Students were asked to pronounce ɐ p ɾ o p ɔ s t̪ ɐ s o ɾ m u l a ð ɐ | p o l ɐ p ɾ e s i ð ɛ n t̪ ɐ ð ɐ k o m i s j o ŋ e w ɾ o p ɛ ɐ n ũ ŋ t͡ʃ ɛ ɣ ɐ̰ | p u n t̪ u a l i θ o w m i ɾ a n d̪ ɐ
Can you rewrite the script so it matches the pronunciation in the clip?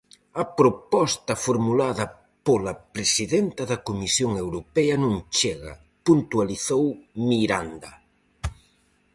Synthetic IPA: ɐ p ɾ o p ɔ s t̪ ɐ f o ɾ m u l a ð ɐ | p o l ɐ p ɾ e s i ð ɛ n t̪ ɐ ð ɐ k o m i s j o ŋ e w ɾ o p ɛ ɐ n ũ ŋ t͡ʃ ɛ ɣ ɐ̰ | p u n t̪ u a l i θ o w m i ɾ a n d̪ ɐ

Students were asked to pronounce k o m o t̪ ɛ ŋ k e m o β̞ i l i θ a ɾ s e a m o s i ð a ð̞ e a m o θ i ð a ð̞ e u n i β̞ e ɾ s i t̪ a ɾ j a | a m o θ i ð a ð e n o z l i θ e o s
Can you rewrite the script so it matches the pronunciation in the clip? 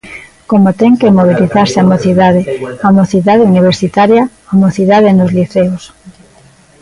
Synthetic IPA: k o m o t̪ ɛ ŋ k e m o β̞ i l i θ a ɾ s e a m o θ i ð a ð̞ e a m o θ i ð a ð̞ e u n i β̞ e ɾ s i t̪ a ɾ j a | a m o θ i ð a ð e n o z l i θ e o s

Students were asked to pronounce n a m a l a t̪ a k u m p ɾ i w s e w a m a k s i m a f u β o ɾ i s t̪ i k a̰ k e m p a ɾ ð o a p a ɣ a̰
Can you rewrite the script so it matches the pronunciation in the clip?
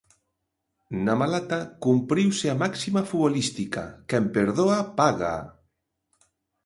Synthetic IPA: n a m a l a t̪ a k u m p ɾ i w s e a m a k s i m a f u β o l i s t̪ i k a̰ k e m p e ɾ ð o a p a ɣ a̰

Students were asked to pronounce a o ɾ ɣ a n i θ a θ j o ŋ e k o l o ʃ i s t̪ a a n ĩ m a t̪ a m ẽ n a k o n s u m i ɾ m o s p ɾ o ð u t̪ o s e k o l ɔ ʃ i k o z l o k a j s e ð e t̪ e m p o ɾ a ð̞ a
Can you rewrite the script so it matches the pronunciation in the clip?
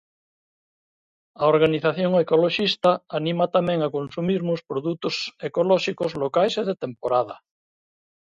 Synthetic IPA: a o ɾ ɣ a n i θ a θ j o ŋ e k o l o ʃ i s t̪ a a n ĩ m a t̪ a m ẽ ŋ a k o n s u m i ɾ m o s p ɾ o ð u t̪ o s e k o l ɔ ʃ i k o z l o k a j s e ð e t̪ e m p o ɾ a ð̞ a

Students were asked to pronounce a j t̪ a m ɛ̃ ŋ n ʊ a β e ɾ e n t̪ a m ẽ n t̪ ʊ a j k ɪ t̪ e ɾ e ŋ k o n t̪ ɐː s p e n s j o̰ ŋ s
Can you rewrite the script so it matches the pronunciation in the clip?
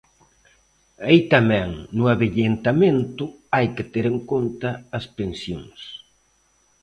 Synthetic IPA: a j t̪ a m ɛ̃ ŋ n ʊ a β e ʎ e n t̪ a m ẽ n t̪ ʊ a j k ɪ t̪ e ɾ e ŋ k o n t̪ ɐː s p e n s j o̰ ŋ s

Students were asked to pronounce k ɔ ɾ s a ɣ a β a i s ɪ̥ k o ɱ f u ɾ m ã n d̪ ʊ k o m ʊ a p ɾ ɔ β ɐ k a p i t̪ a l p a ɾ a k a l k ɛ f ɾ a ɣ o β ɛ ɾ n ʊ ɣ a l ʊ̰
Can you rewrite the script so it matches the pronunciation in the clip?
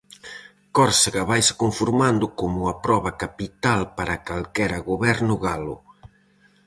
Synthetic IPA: k ɔ ɾ s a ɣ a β a j s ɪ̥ k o ɱ f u ɾ m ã n d̪ ʊ k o m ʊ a p ɾ ɔ β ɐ k a p i t̪ a l p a ɾ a k a l k ɛ ɾ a ɣ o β ɛ ɾ n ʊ ɣ a l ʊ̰

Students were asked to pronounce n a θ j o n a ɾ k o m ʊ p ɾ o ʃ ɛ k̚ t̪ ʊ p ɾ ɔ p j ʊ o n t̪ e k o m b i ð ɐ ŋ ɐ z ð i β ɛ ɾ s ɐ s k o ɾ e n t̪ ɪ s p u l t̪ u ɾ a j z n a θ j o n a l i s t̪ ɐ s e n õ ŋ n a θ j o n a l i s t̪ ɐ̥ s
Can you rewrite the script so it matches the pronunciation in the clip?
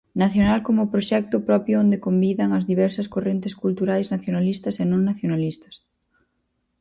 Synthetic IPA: n a θ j o n a l k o m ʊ p ɾ o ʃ ɛ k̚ t̪ ʊ p ɾ ɔ p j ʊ o n d̪ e k o m b i ð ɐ ŋ ɐ z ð i β ɛ ɾ s ɐ s k o r e n t̪ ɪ s k u l t̪ u ɾ a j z n a θ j o n a l i s t̪ ɐ s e n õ ŋ n a θ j o n a l i s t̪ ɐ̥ s

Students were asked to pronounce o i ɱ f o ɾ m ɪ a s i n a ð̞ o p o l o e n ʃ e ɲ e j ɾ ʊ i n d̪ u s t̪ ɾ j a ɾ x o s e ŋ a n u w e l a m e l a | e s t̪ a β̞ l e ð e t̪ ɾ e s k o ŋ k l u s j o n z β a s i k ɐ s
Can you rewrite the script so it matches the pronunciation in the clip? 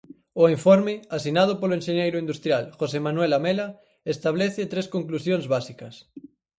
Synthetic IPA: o i ɱ f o ɾ m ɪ a s i n a ð̞ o p o l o e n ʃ e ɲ e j ɾ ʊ i n d̪ u s t̪ ɾ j a l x o s e m a n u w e l a m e l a | e s t̪ a β̞ l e θ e t̪ ɾ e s k o ŋ k l u s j o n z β a s i k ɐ s

